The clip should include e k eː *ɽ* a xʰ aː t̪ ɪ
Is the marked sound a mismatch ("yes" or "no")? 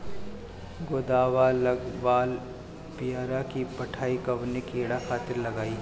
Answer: no